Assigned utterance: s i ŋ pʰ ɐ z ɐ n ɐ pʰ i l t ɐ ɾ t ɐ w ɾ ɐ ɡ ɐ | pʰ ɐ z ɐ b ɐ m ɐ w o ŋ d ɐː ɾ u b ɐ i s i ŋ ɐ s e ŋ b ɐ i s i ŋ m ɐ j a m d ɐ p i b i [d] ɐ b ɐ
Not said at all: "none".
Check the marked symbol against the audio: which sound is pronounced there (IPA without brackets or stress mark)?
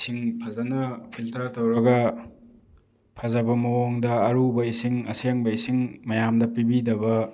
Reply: d